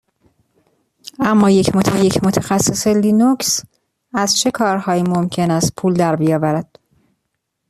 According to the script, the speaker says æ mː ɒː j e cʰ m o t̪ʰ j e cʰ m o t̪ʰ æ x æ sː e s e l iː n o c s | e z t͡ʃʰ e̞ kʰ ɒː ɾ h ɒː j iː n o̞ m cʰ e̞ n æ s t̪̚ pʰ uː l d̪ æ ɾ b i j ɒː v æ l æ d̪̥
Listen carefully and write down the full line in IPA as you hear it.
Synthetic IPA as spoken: æ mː ɒː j e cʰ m o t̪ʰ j e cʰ m o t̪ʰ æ x æ sː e s e l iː n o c s | æ z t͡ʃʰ e̞ kʰ ɒː ɾ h ɒː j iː m o̞ m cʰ e̞ n æ s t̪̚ pʰ uː l d̪ æ ɾ b i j ɒː v æ ɾ æ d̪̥